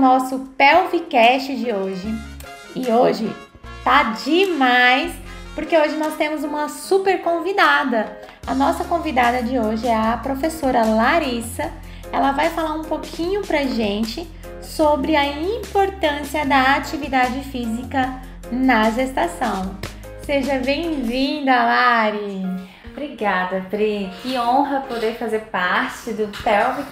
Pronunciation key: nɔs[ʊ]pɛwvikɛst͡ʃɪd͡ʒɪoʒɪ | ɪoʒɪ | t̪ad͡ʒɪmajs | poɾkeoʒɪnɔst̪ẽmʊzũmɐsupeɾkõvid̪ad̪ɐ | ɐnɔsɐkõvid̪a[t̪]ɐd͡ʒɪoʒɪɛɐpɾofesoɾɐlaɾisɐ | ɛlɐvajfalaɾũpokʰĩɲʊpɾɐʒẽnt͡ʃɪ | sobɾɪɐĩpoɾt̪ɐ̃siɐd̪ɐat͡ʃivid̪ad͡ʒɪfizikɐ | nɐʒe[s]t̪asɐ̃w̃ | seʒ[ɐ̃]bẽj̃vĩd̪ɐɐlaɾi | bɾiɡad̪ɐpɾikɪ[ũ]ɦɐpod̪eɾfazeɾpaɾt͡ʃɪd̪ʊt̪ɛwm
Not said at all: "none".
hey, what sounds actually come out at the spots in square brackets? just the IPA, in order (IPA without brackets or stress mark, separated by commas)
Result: ʊ, d̪, s, ɐ, õ